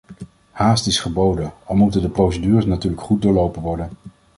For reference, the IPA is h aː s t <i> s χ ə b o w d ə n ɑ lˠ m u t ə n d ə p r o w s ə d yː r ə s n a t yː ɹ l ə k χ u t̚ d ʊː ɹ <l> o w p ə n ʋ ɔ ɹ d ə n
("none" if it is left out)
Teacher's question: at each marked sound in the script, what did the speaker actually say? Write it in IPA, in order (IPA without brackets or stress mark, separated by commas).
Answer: ɪ, l